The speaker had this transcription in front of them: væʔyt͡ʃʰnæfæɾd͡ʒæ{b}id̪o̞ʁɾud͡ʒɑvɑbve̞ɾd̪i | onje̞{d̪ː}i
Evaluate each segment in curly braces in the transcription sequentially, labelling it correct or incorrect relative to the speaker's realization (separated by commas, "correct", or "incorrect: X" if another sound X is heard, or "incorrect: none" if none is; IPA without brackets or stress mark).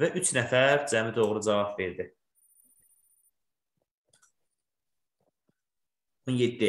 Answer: incorrect: m, correct